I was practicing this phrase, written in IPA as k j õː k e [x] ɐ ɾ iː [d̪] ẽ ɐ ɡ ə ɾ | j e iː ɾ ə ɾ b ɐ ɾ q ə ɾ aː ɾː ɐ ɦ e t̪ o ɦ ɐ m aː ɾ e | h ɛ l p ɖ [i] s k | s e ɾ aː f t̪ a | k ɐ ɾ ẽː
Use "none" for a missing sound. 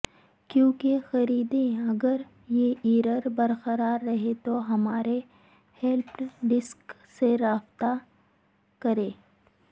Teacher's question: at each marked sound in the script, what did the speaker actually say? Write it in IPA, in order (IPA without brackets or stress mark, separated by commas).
x, d̪, ɪ